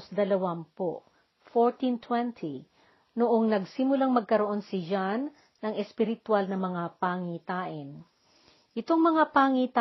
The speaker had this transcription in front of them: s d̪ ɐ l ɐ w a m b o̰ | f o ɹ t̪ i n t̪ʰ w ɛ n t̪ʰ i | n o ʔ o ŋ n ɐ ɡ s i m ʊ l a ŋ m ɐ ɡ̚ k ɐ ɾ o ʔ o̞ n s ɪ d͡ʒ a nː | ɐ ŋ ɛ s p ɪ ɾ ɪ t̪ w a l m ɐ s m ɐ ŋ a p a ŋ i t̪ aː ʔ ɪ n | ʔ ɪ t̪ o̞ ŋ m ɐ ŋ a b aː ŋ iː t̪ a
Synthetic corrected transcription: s d̪ ɐ l ɐ w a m p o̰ | f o ɹ t̪ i n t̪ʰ w ɛ n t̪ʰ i | n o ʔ o ŋ n ɐ ɡ s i m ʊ l a ŋ m ɐ ɡ̚ k ɐ ɾ o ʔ o̞ n s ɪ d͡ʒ a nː | ɐ ŋ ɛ s p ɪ ɾ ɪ t̪ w a l n ɐ m ɐ ŋ a p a ŋ i t̪ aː ʔ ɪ n | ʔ ɪ t̪ o̞ ŋ m ɐ ŋ a p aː ŋ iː t̪ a